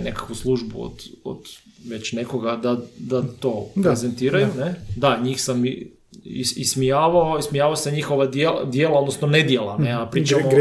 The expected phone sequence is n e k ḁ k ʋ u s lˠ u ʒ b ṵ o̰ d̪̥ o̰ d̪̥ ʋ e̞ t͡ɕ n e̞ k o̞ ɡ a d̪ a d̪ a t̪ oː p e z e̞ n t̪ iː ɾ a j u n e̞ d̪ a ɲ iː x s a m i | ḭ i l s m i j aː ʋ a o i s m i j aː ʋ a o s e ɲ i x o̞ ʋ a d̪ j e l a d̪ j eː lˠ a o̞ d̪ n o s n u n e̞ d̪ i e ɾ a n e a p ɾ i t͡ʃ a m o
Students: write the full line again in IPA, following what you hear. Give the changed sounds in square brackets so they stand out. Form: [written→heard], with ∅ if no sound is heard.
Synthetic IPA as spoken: n e k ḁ k ʋ u s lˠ u ʒ b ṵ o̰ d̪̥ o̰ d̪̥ ʋ e̞ t͡ɕ n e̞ k o̞ ɡ a d̪ a d̪ a t̪ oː p e z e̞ n t̪ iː ɾ a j u n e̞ d̪ a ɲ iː x s a m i | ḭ i [l→∅] s m i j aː ʋ a o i s m i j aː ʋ a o s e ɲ i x o̞ ʋ a d̪ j e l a d̪ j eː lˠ a o̞ d̪ n o s n [u→o] n e̞ d̪ [i→j] e [ɾ→l] a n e a p ɾ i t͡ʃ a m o